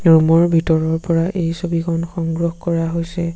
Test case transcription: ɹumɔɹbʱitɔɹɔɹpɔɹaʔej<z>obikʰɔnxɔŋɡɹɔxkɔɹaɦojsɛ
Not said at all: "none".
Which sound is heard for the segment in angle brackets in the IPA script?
s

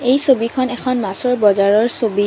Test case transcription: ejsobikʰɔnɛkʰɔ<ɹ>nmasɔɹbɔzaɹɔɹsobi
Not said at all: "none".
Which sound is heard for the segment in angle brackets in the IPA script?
none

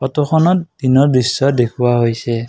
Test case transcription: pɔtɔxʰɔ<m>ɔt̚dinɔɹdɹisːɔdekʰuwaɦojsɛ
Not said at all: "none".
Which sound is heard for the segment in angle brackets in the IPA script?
n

